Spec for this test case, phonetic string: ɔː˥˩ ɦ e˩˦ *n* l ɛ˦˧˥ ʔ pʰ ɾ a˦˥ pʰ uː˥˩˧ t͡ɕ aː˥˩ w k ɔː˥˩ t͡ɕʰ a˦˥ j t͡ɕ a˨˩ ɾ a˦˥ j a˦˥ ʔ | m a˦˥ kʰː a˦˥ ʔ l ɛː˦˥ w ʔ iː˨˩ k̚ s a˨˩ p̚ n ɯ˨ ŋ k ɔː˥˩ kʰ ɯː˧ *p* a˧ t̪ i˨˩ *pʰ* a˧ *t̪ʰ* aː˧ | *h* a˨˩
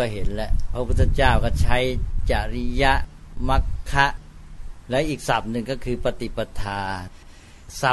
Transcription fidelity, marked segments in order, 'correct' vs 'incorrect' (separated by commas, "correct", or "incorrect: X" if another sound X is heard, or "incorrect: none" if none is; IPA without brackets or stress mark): correct, correct, incorrect: p, correct, incorrect: s